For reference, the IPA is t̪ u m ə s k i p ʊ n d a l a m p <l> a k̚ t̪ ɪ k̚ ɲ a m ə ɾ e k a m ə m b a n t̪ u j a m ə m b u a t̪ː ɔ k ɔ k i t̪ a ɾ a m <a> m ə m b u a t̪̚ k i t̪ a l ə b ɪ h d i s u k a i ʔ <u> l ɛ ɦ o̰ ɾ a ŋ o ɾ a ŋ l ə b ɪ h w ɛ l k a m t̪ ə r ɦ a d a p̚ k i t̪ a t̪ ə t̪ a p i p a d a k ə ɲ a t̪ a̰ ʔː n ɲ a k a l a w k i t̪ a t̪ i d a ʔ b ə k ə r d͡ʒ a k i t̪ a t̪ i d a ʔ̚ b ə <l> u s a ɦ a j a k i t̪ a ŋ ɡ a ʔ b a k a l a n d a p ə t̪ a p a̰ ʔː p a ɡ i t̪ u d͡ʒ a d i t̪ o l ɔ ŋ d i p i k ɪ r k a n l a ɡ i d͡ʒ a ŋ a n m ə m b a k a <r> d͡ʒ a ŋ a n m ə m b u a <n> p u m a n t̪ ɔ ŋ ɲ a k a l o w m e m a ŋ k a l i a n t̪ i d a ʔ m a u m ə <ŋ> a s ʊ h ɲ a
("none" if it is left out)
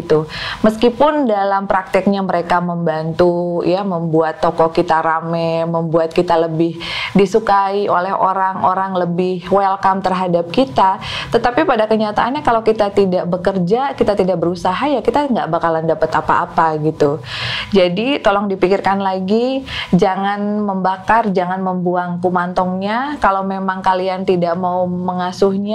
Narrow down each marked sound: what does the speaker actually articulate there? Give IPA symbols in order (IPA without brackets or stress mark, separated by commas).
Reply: ɾ, ɛ, o, ɾ, r, ŋ, ŋ